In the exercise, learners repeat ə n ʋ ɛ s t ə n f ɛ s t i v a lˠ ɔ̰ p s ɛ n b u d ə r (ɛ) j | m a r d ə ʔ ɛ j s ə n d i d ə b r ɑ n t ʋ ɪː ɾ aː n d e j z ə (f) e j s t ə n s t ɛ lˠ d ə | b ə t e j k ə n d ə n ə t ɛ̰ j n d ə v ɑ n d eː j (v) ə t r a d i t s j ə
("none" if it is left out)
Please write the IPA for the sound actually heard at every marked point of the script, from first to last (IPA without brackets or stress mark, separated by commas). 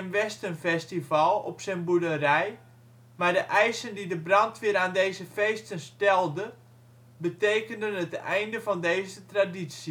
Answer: ɛ, f, z